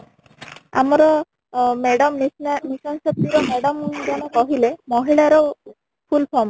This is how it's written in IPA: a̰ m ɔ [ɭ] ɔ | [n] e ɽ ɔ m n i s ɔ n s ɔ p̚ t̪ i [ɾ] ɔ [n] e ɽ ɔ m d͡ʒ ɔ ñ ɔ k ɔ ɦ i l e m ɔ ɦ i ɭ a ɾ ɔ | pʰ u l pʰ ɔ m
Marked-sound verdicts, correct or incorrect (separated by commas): incorrect, incorrect, correct, incorrect